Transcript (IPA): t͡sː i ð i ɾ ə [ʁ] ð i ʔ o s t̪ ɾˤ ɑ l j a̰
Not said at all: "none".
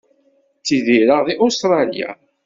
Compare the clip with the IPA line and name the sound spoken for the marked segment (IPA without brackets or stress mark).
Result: ʁ